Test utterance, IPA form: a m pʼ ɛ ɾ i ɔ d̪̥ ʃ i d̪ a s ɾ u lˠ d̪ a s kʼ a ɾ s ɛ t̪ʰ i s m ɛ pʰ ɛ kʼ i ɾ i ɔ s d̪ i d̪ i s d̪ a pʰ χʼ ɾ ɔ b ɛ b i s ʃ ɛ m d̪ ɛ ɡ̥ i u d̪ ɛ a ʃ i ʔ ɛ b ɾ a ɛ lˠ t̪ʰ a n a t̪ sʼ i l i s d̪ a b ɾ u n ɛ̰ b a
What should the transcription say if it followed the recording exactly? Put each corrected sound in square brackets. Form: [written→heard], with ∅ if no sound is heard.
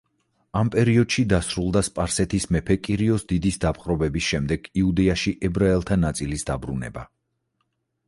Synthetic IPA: a m pʼ ɛ ɾ i ɔ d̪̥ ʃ i d̪ a s ɾ u lˠ d̪ a s [kʼ→pʼ] a ɾ s ɛ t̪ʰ i s m ɛ pʰ ɛ kʼ i ɾ i ɔ s d̪ i d̪ i s d̪ a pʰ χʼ ɾ ɔ b ɛ b i s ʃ ɛ m d̪ ɛ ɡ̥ i u d̪ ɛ a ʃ i ʔ ɛ b ɾ a ɛ lˠ t̪ʰ a n a t̪ sʼ i l i s d̪ a b ɾ u n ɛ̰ b a